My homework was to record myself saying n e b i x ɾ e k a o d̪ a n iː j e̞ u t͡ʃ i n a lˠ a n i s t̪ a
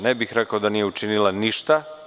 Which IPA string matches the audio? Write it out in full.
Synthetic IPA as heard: n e b i x ɾ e k a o d̪ a n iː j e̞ u t͡ʃ i n i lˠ a n i ʃ t̪ a